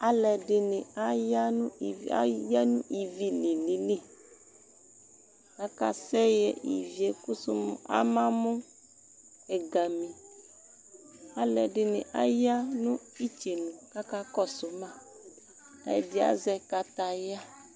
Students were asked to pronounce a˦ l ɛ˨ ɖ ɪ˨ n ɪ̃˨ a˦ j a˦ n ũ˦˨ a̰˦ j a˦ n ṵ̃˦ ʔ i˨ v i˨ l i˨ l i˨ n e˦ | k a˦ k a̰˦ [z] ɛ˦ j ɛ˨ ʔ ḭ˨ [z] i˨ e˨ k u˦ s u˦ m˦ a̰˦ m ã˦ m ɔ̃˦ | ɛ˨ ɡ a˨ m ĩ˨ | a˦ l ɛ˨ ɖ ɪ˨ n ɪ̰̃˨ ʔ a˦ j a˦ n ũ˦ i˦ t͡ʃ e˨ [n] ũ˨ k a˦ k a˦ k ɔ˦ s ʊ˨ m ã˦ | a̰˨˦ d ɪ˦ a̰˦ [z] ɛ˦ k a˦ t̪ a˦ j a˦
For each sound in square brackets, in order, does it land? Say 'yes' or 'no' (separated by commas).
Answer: no, no, yes, yes